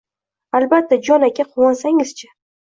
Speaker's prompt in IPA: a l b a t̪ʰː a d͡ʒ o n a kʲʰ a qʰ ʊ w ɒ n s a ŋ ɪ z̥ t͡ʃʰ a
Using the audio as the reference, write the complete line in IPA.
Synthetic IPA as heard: a l b a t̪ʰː a d͡ʒ ɒ n a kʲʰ a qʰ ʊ w ɒ n s a ŋ ɪ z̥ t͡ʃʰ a

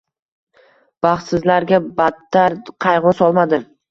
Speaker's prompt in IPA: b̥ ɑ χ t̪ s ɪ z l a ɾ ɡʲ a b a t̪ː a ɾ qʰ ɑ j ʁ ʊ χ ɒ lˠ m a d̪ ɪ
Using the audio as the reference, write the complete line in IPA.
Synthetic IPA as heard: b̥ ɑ χ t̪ s ɪ z l a ɾ ɡʲ a b a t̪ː a ɾ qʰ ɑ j ʁ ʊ s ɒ lˠ m a d̪ ɪ

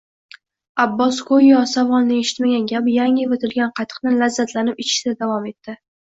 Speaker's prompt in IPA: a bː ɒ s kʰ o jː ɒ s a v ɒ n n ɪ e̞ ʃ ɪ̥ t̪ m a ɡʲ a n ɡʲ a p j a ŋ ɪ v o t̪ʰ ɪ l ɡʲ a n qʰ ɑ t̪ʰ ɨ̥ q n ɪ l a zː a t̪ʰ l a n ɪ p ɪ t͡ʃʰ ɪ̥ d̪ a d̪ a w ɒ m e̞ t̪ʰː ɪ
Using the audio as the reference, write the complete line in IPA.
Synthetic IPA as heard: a bː ɒ s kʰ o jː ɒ s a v ɒ n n ɪ e̞ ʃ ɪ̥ t̪ m a ɡʲ a n ɡʲ a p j a ŋ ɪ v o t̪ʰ ɪ l ɡʲ a n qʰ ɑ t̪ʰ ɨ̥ q n ɪ l a zː a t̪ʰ l a n ɪ p ɪ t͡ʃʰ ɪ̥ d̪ a d̪ a v ɒ m e̞ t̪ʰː ɪ

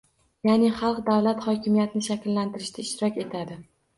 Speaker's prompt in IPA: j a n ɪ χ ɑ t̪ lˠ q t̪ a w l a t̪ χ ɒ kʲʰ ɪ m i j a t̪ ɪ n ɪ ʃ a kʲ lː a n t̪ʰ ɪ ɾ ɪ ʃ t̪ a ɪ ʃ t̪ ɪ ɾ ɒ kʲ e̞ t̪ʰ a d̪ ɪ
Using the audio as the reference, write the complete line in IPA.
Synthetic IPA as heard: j a n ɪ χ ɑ lˠ q d̪ a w l a t̪ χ ɒ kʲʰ ɪ m i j a t̪ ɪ n ɪ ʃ a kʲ lː a n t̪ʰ ɪ ɾ ɪ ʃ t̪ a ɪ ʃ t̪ ɪ ɾ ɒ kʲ e̞ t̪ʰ a d̪ ɪ

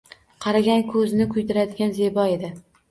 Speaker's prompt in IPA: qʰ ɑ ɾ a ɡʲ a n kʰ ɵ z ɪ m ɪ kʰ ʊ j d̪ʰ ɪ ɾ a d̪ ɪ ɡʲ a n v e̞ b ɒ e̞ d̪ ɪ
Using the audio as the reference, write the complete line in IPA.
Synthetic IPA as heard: qʰ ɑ ɾ a ɡʲ a n kʰ ɵ z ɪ n ɪ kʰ ʊ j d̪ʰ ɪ ɾ a d̪ ɪ ɡʲ a n z e̞ b ɒ e̞ d̪ ɪ

